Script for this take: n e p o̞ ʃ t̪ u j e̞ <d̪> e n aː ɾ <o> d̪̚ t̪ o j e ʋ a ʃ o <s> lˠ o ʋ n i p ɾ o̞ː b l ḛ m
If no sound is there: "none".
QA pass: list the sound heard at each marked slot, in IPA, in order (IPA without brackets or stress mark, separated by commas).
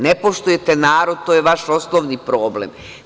t̪, o, s